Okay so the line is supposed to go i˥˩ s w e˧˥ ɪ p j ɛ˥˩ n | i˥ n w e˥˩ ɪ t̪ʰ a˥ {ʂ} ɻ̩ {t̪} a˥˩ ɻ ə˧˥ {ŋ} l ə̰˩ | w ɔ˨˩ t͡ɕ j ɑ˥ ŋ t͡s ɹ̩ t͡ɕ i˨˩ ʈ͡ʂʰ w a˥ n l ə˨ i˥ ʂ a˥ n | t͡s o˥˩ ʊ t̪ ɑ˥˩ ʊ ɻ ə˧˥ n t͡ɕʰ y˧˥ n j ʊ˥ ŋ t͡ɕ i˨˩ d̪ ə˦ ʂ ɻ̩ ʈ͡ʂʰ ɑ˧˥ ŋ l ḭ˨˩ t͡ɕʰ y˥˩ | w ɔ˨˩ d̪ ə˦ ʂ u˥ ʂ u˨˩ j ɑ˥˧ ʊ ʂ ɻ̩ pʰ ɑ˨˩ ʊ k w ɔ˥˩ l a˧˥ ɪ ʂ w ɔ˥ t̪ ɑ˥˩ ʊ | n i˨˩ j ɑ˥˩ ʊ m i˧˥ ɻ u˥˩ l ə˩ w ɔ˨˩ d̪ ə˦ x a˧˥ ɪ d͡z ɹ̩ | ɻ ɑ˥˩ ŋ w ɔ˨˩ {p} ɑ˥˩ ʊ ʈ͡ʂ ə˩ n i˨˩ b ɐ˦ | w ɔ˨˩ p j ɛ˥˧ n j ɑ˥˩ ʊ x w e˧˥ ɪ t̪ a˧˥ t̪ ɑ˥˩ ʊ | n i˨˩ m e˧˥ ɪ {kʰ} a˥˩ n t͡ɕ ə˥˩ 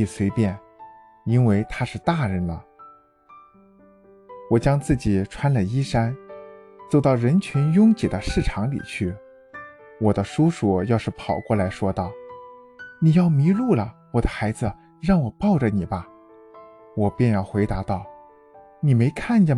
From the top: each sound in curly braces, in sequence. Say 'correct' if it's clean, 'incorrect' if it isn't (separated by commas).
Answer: correct, correct, incorrect, correct, correct